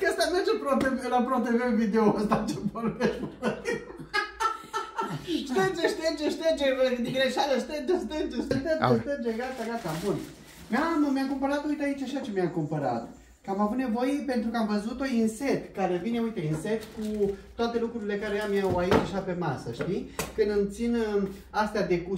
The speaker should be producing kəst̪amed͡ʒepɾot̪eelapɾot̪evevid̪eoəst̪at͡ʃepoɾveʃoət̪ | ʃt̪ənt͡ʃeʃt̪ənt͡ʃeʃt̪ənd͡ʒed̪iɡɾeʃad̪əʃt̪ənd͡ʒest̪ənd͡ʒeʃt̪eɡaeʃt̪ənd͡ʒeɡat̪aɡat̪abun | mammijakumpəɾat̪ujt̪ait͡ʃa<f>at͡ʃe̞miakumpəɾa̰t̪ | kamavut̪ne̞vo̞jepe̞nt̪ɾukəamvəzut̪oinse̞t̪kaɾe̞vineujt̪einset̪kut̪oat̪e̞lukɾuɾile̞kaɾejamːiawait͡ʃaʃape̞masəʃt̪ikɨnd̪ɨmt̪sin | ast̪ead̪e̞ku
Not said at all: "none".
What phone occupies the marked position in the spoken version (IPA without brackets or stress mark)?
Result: ʃ